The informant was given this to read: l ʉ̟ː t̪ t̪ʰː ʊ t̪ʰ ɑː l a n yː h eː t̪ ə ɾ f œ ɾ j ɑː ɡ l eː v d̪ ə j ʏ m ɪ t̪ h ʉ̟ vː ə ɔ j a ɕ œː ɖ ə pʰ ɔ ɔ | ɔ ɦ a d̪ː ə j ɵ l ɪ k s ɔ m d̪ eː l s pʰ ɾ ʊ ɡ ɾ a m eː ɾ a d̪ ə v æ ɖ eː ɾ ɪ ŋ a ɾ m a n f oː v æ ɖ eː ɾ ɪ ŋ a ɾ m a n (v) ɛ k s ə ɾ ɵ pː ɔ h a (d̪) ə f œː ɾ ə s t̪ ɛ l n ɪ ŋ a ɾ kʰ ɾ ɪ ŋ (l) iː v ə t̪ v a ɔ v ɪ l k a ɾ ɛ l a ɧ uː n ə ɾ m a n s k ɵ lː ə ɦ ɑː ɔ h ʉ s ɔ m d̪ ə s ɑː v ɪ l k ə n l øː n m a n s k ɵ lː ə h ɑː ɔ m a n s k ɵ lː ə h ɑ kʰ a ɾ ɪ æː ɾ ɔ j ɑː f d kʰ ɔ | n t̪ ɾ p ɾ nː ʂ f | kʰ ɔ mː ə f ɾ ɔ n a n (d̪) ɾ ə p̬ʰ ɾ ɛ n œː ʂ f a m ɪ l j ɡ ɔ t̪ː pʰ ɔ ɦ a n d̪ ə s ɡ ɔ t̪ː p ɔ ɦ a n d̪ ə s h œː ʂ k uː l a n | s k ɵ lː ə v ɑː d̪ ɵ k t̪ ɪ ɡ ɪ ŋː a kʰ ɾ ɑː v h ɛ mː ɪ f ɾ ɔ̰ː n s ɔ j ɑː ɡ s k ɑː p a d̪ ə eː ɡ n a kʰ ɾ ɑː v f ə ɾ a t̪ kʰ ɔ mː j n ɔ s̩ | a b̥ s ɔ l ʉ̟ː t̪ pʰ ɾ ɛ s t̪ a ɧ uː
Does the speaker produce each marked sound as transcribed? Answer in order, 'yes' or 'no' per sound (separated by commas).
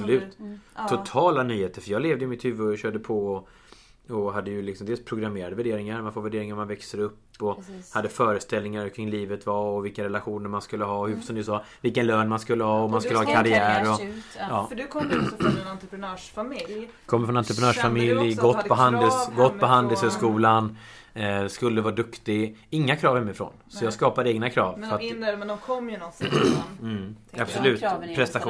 yes, no, yes, no